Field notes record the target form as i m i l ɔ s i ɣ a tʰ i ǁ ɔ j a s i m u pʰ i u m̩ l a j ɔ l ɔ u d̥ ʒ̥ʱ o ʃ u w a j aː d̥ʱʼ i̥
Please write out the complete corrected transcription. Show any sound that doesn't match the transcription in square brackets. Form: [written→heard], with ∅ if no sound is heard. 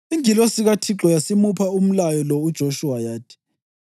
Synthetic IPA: i [m→ŋ] i l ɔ s i ɣ a tʰ i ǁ ɔ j a s i m u pʰ [i→a] u m̩ l a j ɔ l ɔ u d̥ ʒ̥ʱ o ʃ u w a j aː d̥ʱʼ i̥